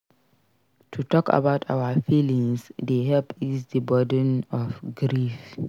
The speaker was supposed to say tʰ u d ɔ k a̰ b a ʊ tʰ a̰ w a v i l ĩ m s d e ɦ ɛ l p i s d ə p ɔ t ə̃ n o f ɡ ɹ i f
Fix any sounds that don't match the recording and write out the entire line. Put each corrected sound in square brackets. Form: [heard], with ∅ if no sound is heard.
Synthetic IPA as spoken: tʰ u [t] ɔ k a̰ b a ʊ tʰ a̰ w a [f] i l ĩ [ŋ] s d e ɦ ɛ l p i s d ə [b] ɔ [d] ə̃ n [ɔ] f ɡ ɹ i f